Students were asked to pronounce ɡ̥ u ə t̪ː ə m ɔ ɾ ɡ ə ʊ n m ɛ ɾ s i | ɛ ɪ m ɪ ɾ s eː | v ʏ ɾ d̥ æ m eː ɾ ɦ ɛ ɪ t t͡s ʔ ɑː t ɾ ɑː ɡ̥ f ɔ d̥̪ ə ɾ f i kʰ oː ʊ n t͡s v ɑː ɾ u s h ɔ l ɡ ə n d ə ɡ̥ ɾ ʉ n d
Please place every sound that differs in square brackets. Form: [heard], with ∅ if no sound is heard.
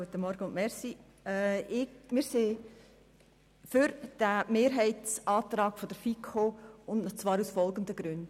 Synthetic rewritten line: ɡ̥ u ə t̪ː ə m ɔ ɾ ɡ ə ʊ n m ɛ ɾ s i | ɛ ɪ m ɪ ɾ s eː | [f] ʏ ɾ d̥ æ m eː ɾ ɦ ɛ ɪ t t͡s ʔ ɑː t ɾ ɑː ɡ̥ f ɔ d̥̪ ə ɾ f i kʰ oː ʊ n t͡s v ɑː ɾ u s [f] ɔ l ɡ ə n d ə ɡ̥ ɾ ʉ n d